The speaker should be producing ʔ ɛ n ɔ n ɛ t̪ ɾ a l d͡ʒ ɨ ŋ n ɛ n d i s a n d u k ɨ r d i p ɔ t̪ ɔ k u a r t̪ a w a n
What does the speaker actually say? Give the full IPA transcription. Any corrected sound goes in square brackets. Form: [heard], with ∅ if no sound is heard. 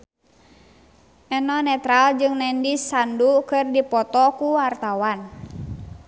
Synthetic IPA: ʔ ɛ n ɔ n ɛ t̪ ɾ a l d͡ʒ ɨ ŋ n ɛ n d i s a n d u k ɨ r d i p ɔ t̪ ɔ k u a r t̪ a w a n